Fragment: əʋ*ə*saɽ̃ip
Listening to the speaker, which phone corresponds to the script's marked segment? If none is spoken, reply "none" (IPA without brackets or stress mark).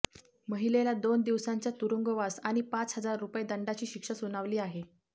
a